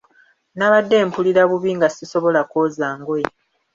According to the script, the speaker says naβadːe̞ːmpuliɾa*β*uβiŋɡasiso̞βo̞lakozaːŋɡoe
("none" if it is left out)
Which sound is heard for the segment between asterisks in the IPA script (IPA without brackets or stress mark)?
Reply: β